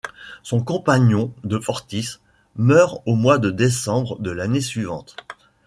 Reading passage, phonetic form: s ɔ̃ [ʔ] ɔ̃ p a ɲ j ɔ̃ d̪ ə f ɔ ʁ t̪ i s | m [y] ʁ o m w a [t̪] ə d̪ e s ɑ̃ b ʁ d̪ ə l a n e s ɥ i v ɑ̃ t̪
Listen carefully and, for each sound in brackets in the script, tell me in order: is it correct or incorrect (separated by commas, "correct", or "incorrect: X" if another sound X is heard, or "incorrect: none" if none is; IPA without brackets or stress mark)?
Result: incorrect: k, incorrect: œ, incorrect: d̪